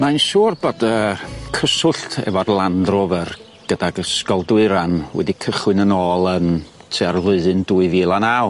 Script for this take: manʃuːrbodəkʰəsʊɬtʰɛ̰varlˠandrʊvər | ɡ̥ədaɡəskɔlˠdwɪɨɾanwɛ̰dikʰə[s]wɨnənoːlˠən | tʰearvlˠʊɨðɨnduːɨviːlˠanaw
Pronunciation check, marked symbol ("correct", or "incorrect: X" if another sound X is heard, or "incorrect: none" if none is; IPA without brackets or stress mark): incorrect: χ